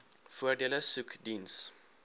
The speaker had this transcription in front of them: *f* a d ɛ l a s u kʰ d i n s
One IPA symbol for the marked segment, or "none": f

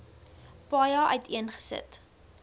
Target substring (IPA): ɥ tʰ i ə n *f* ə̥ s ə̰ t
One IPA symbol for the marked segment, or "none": χ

